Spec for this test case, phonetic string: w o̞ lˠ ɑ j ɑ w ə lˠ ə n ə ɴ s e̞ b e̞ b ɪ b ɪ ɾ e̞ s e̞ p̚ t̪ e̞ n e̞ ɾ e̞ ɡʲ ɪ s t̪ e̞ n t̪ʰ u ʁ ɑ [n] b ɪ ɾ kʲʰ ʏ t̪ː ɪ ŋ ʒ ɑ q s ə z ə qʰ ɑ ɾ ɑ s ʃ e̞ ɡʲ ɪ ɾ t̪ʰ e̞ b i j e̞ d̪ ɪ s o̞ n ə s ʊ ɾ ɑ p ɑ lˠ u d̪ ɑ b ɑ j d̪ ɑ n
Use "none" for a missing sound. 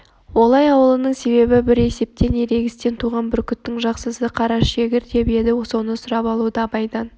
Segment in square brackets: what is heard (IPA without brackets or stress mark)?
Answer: n